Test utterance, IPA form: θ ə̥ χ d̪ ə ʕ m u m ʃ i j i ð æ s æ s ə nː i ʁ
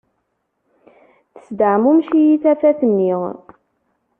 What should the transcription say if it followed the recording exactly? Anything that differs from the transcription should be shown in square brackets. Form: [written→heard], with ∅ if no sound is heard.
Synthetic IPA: θ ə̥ [χ→s] d̪ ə ʕ m u m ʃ i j i [ð→θ] æ [s→f] æ [s→θ] ə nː i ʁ